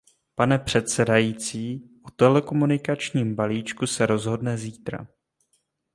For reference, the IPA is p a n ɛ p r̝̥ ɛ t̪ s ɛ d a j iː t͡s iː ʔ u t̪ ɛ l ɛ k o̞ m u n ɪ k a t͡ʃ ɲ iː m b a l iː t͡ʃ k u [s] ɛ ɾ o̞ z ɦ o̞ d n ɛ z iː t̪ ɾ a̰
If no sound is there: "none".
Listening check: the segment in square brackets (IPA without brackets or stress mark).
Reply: s